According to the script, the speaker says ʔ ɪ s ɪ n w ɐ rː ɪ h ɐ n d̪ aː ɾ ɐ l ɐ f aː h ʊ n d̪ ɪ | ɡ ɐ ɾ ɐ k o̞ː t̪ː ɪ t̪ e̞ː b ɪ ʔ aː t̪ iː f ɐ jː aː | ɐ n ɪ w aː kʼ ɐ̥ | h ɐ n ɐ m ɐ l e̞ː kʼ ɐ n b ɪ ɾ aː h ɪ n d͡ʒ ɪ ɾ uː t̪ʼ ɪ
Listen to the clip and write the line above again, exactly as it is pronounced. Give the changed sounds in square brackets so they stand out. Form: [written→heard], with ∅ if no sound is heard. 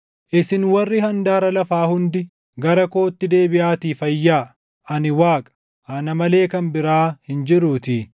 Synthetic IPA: ʔ ɪ s ɪ n w ɐ rː ɪ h ɐ n d̪ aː ɾ ɐ l ɐ f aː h ʊ n d̪ ɪ | ɡ ɐ ɾ ɐ k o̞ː t̪ː ɪ [t̪→d̪] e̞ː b ɪ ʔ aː t̪ iː f ɐ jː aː | ɐ n ɪ w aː kʼ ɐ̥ | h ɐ n ɐ m ɐ l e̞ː [kʼ→k] ɐ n b ɪ ɾ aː h ɪ n d͡ʒ ɪ ɾ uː [t̪ʼ→t̪] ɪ